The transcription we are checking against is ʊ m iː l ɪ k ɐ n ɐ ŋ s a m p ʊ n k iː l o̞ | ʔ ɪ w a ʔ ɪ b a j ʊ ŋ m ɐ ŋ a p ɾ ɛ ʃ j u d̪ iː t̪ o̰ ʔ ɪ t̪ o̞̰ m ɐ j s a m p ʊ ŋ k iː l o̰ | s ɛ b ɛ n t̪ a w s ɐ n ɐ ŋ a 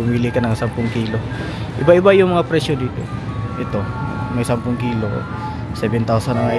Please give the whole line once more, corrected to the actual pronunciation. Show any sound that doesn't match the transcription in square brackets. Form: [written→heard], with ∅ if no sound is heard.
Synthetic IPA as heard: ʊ m iː l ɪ k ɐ n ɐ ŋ s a m p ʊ [n→ŋ] k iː l o̞ | ʔ ɪ [w→b] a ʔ ɪ b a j ʊ ŋ m ɐ ŋ a p ɾ ɛ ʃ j [u→o] d̪ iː t̪ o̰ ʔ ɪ t̪ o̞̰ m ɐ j s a m p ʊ ŋ k iː l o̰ | s ɛ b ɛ n t̪ a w s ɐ n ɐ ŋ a